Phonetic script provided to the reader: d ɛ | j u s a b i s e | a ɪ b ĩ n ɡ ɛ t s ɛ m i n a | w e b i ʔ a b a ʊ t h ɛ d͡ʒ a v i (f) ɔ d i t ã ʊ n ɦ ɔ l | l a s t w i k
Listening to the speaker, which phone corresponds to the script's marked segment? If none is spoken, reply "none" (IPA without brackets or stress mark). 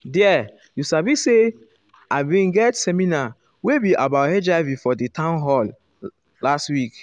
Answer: f